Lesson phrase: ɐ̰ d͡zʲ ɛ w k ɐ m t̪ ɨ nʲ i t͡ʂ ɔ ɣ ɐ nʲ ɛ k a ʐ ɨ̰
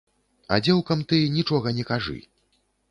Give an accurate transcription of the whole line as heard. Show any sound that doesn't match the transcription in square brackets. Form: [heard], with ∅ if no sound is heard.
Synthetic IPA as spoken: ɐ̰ d͡zʲ ɛ w k ɐ m t̪ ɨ nʲ i t͡ʂ ɔ ɣ ɐ nʲ ɛ k a ʐ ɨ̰